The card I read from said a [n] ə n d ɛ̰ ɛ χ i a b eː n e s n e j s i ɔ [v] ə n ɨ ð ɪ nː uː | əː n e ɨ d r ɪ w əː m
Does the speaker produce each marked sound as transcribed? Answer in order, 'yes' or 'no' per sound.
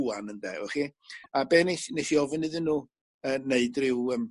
yes, yes

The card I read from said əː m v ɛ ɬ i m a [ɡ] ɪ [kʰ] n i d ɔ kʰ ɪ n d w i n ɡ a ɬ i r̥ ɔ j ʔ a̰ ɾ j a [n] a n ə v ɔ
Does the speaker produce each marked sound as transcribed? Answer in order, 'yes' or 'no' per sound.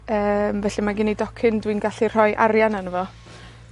yes, no, yes

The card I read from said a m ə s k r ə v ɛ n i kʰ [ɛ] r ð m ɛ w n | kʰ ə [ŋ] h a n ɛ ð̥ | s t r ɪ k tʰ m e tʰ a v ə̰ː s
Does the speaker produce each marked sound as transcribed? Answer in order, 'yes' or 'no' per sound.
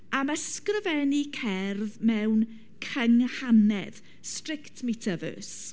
yes, yes

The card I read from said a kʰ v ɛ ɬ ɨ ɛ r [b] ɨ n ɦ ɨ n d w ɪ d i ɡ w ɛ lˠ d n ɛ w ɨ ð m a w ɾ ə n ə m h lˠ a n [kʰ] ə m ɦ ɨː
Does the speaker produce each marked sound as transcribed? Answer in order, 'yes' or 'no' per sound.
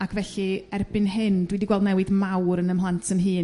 yes, no

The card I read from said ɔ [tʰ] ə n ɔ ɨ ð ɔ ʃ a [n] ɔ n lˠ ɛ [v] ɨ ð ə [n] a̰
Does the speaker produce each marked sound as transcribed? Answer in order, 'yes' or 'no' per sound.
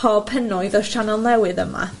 no, yes, no, no

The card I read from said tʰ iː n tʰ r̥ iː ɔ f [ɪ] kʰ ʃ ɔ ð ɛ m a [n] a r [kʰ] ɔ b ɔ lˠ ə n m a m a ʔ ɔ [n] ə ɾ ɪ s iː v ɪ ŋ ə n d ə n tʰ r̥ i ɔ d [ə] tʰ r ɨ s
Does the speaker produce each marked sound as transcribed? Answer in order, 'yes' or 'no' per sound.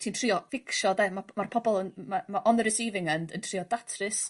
yes, no, no, yes, no

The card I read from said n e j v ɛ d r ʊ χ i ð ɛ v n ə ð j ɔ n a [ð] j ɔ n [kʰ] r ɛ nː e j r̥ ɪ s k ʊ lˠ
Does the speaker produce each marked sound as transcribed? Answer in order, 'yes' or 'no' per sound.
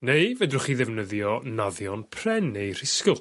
yes, no

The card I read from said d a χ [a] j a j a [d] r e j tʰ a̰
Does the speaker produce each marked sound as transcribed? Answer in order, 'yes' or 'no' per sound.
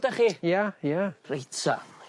no, no

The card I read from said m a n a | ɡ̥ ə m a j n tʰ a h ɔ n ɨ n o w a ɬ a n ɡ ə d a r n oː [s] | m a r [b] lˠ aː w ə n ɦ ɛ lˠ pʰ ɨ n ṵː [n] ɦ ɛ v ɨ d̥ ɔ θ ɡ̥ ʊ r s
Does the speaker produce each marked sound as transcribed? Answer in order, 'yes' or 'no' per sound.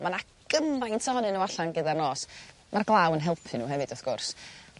yes, no, no

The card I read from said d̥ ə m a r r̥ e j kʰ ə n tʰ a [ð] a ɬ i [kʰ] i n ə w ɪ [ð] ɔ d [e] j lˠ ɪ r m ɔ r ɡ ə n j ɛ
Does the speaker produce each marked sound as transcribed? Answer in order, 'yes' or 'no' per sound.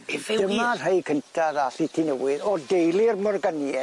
yes, no, yes, yes

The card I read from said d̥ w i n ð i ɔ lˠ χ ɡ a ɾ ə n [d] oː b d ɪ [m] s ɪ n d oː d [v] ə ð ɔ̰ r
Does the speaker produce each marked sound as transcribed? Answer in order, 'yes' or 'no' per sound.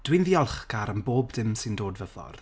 no, yes, yes

